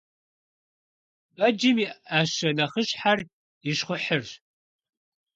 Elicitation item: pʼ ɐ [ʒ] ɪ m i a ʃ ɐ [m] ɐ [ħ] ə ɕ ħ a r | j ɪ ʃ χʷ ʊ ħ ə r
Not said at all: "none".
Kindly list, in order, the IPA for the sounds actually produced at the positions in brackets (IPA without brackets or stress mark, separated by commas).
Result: d͡ʒ, n, χ